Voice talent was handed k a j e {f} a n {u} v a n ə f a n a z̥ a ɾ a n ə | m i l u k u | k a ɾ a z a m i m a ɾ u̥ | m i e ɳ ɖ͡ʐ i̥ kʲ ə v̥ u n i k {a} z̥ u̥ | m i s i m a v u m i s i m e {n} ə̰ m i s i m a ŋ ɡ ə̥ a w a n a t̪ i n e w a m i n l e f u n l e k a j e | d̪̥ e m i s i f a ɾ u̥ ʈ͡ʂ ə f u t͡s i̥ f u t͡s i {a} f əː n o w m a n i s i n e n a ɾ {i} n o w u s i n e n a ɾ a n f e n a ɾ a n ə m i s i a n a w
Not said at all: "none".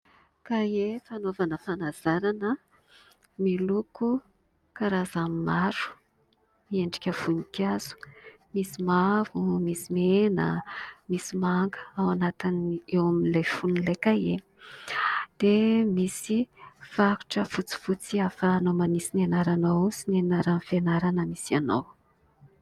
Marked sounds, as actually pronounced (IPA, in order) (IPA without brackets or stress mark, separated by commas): f, o, a, n, a, a